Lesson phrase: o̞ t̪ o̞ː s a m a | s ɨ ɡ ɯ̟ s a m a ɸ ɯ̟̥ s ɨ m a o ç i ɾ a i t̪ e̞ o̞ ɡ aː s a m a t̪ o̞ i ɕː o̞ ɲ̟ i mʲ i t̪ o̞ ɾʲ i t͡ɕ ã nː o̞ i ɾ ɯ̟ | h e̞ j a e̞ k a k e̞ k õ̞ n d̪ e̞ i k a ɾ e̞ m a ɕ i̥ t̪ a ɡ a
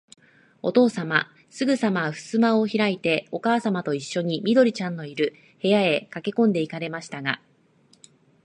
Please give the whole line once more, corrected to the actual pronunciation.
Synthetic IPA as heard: o̞ t̪ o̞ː s a m a | s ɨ ɡ ɯ̟ s a m a ɸ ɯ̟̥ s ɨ m a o ç i ɾ a i t̪ e̞ o̞ k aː s a m a t̪ o̞ i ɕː o̞ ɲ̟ i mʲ i d̪ o̞ ɾʲ i t͡ɕ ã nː o̞ i ɾ ɯ̟ | h e̞ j a e̞ k a k e̞ k õ̞ n d̪ e̞ i k a ɾ e̞ m a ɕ i̥ t̪ a ɡ a

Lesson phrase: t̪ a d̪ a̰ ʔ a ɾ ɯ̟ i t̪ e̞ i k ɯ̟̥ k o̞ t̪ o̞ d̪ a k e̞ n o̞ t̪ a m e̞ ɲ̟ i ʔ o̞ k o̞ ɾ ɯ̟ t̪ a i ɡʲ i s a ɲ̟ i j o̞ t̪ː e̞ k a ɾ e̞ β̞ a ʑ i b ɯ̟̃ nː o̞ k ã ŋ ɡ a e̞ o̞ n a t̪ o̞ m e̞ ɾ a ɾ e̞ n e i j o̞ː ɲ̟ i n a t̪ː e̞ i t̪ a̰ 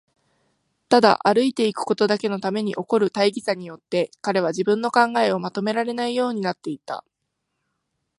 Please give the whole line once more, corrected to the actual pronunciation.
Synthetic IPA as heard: t̪ a d̪ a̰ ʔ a ɾ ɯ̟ i t̪ e̞ i k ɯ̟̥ k o̞ t̪ o̞ d̪ a k e̞ n o̞ t̪ a m e̞ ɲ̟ i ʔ o̞ k o̞ ɾ ɯ̟ t̪ a i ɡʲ i s a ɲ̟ i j o̞ t̪ː e̞ k a ɾ e̞ β̞ a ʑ i b ɯ̟̃ nː o̞ k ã ŋ ɡ a e̞ o̞ m a t̪ o̞ m e̞ ɾ a ɾ e̞ n a i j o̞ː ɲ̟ i n a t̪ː e̞ i t̪ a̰

